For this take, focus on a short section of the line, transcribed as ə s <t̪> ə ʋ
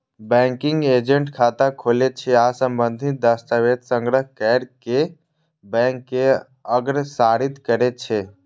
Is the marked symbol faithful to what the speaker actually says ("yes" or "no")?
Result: yes